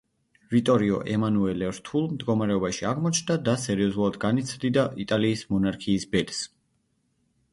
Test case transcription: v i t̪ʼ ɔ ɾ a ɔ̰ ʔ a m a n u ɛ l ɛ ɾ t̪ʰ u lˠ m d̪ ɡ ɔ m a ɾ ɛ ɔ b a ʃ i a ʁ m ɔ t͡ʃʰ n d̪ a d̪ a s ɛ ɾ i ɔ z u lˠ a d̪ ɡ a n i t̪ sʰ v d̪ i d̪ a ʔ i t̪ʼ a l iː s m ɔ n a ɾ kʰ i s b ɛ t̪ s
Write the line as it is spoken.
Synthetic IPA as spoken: v i t̪ʼ ɔ ɾ i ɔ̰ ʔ ɛ m a n u ɛ l ɛ ɾ t̪ʰ u lˠ m d̪ ɡ ɔ m a ɾ ɛ ɔ b a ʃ i a ʁ m ɔ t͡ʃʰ n d̪ a d̪ a s ɛ ɾ i ɔ z u lˠ a d̪ ɡ a n i t̪ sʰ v d̪ i d̪ a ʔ i t̪ʼ a l iː s m ɔ n a ɾ kʰ iː s b ɛ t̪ s